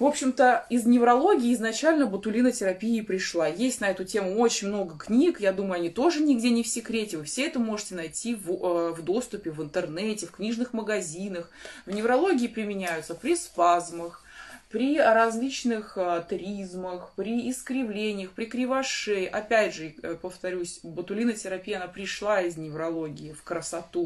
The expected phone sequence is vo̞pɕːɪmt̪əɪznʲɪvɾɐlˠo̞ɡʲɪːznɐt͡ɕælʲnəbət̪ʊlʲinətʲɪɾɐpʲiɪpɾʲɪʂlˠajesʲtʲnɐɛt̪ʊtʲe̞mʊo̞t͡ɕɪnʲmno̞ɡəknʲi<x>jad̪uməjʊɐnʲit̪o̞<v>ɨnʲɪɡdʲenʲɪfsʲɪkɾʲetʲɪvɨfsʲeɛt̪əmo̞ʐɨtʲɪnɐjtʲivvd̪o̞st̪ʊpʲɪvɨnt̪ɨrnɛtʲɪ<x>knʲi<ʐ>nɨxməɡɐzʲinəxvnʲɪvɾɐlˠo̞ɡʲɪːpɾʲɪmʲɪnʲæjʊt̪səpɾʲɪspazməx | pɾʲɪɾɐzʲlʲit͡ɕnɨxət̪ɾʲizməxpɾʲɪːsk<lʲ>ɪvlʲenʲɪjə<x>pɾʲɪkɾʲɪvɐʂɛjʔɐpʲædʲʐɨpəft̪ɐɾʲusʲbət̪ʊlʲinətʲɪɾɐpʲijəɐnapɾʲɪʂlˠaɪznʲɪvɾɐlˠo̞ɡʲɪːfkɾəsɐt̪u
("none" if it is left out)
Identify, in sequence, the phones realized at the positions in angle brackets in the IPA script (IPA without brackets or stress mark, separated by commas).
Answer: k, ʐ, f, ʐ, ɾʲ, x